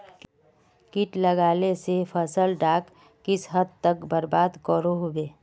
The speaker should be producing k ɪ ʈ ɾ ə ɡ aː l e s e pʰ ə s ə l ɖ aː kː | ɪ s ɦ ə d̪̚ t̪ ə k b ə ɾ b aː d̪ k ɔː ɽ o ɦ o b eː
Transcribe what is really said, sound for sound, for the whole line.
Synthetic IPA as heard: k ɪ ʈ l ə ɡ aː l e s e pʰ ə s ə l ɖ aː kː | ɪ s ɦ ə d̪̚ t̪ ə k b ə ɾ b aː d̪ k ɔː ɾ o ɦ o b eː